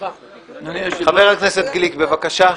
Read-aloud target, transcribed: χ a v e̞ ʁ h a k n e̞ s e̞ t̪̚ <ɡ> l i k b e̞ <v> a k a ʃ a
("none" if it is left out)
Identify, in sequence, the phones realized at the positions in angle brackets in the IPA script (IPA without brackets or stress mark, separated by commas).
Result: ɡ, v